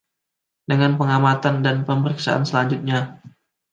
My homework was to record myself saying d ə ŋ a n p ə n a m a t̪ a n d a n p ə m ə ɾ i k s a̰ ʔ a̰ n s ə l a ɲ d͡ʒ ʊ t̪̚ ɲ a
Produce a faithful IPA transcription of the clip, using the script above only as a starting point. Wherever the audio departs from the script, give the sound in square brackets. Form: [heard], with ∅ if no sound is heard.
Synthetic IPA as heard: d ə ŋ a n p ə [ŋ] a m a t̪ a n d a n p ə m ə ɾ i k s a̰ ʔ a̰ n s ə l a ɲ d͡ʒ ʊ t̪̚ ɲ a